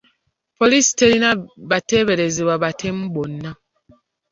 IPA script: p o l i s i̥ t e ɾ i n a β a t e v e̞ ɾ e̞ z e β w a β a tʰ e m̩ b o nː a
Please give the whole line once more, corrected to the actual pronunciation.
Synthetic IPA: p o l i s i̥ t e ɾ i n a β a t e β e̞ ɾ e̞ z e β w a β a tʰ e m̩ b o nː a